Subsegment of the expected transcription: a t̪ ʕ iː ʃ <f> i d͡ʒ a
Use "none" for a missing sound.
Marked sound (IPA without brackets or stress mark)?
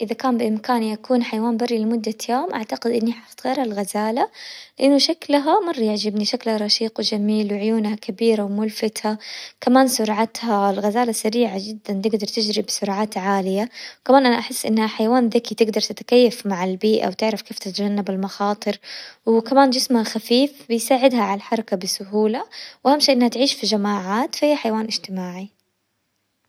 f